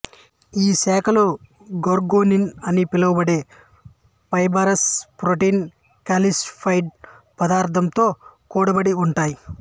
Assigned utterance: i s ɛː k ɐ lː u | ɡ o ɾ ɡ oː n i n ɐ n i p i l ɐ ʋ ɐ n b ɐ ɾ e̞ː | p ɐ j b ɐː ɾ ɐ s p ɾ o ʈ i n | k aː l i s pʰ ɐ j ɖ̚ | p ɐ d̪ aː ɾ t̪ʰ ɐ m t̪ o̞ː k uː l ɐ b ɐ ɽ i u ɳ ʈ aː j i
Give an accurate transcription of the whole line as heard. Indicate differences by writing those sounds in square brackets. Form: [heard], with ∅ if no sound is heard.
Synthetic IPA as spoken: [iː] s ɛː k ɐ [l] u | ɡ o ɾ ɡ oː n i n ɐ n i p i l ɐ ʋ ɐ [∅] b ɐ [ɽ] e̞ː | p ɐ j b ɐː ɾ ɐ s p ɾ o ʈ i n | k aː l i s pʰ ɐ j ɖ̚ | p ɐ d̪ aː ɾ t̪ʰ ɐ m t̪ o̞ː k uː [ɽ] ɐ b ɐ ɽ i u ɳ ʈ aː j i